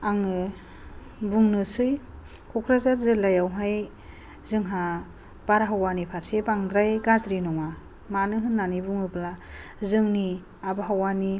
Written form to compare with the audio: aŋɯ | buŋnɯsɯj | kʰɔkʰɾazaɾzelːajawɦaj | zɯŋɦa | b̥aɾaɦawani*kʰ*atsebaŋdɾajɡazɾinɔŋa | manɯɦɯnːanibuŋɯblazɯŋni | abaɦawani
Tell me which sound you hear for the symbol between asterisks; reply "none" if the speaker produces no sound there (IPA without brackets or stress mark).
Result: pʰ